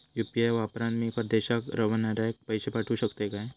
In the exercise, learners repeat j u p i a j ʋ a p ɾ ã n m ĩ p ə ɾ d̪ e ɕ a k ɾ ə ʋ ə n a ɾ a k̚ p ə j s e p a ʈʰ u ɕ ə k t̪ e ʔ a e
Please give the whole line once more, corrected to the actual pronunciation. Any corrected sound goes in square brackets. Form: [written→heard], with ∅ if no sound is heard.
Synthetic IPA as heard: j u p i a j ʋ a p ɾ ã n m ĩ p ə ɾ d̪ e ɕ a k ɾ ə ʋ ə n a ɾ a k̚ p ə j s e p a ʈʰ u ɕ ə k t̪ e [ʔ→k] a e